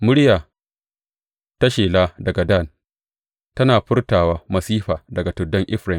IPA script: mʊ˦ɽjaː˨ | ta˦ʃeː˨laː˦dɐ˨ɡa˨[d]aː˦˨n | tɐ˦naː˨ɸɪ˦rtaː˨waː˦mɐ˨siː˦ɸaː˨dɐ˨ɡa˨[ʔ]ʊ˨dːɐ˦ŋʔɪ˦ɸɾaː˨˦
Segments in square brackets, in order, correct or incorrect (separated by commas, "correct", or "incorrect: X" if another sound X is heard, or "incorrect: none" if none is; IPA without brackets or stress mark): correct, incorrect: t